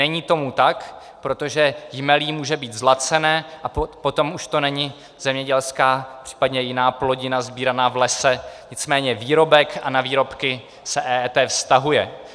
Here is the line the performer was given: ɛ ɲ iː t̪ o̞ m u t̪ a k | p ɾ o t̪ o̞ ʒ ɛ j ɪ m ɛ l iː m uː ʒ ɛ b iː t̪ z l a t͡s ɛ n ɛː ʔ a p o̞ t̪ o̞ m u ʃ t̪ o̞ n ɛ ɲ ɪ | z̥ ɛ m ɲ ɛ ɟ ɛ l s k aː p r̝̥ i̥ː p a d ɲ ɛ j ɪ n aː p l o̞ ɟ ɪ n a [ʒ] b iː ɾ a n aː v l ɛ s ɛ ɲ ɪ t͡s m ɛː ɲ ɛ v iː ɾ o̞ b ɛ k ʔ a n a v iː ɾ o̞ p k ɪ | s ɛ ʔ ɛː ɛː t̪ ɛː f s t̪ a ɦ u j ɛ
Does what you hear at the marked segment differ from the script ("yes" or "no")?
yes